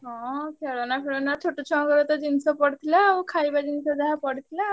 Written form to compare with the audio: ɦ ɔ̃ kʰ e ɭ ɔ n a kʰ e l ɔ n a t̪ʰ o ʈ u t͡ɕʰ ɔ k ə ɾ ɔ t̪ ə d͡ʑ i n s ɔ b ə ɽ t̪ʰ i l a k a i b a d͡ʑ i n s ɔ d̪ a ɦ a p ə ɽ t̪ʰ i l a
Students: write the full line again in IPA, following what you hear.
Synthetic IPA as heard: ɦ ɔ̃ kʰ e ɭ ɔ n a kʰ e ɭ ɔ n a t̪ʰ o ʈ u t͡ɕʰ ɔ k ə ɾ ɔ t̪ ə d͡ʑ i n s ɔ p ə ɽ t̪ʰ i l a kʰ a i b a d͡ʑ i n s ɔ d̪ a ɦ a p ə ɽ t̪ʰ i l a